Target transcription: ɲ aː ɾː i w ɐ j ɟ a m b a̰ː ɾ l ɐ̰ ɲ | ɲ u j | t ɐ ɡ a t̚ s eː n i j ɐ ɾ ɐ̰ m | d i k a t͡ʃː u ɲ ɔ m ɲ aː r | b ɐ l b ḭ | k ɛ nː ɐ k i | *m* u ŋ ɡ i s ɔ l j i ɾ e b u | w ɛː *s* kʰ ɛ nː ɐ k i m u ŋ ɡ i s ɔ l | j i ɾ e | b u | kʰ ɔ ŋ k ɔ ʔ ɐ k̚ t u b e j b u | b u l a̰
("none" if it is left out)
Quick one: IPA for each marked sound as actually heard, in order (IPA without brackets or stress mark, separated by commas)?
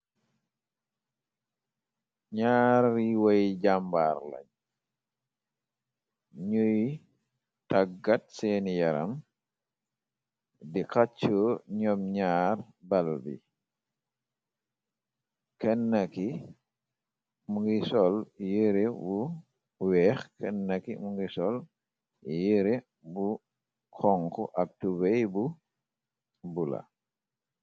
m, x